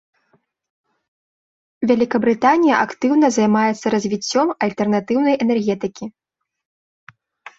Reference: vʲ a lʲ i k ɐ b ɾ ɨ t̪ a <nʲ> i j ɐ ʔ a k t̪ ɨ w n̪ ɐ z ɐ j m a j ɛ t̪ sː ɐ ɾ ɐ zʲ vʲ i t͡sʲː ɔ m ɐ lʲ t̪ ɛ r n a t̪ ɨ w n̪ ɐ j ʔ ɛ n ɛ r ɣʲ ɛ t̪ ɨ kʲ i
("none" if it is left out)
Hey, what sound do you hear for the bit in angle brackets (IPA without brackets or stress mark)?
nʲ